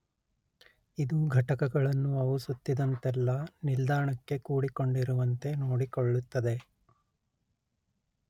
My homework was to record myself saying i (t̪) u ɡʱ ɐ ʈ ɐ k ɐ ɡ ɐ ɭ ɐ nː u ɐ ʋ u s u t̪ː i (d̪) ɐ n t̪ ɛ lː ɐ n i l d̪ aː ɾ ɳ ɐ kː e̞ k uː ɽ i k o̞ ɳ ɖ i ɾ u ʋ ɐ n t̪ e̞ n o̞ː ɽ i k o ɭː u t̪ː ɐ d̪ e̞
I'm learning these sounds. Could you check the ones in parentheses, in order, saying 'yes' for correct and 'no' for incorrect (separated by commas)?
no, yes